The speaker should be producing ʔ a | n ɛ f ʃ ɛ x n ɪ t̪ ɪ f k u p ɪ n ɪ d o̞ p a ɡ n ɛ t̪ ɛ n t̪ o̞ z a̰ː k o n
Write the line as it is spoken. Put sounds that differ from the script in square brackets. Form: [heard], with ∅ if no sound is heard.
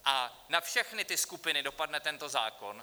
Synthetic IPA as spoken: ʔ a | n [a] f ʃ ɛ x n ɪ t̪ ɪ [s] k u p ɪ n ɪ d o̞ p a [d] n ɛ t̪ ɛ n t̪ o̞ z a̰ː k o n